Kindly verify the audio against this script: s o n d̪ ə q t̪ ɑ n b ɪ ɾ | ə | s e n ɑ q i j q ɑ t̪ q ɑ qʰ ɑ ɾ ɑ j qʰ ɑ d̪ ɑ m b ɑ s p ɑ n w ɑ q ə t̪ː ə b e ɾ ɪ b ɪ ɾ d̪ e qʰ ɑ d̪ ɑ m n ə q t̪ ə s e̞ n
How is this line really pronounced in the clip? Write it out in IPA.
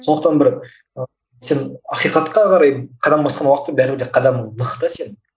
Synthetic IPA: s o n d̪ ə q t̪ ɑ n b ɪ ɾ | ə | s e n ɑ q i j q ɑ t̪ q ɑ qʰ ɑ ɾ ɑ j qʰ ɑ d̪ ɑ m b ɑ s q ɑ n w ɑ q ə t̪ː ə b æ ɾ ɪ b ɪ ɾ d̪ e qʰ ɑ d̪ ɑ m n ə q t̪ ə s e̞ n